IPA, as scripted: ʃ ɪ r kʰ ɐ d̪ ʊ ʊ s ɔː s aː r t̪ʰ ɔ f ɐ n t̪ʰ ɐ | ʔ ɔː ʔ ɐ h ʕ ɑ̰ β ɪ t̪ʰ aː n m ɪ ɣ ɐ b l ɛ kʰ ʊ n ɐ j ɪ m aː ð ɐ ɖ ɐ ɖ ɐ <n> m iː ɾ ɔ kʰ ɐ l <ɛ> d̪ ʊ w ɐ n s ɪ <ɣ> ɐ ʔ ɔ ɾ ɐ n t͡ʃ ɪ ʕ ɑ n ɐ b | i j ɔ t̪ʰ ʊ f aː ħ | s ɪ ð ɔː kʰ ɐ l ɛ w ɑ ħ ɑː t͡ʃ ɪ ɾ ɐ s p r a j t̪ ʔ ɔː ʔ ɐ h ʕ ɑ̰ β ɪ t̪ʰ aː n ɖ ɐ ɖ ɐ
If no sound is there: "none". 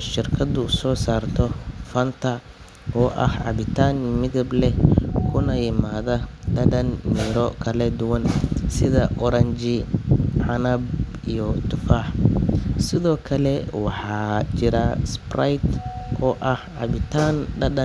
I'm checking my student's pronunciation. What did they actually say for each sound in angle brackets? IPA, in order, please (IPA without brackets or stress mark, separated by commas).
n, ɛ, ð